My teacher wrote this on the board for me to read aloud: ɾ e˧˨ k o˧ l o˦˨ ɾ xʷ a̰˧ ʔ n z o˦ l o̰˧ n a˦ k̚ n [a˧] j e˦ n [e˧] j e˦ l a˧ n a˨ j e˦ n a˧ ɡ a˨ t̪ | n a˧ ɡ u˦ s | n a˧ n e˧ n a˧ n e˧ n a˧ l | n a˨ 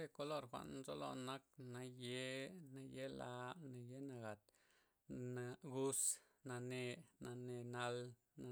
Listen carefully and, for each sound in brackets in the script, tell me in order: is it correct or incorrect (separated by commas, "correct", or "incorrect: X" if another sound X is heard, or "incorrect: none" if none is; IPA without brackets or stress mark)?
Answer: correct, incorrect: a˧